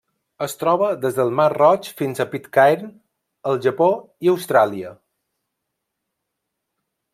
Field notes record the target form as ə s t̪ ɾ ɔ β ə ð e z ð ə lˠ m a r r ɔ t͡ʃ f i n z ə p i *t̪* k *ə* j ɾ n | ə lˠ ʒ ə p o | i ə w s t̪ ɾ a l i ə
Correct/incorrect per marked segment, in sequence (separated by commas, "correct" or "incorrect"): correct, incorrect